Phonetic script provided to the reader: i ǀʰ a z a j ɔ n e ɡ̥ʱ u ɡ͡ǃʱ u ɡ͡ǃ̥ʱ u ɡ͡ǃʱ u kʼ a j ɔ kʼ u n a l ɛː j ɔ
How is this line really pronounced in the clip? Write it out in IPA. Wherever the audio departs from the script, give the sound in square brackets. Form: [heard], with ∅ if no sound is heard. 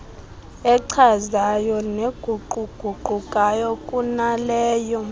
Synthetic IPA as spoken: [ɛ] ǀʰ a z a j ɔ n e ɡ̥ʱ u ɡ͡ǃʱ u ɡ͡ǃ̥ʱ u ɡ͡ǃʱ u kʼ a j ɔ kʼ u n a l ɛː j ɔ